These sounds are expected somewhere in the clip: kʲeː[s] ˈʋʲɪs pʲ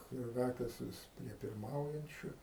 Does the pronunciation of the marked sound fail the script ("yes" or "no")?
no